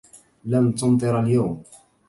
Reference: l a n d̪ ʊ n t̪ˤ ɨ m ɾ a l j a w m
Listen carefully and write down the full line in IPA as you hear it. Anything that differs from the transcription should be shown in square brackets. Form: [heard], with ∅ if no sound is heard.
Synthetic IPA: l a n [t̪] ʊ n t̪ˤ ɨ [∅] ɾ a l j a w m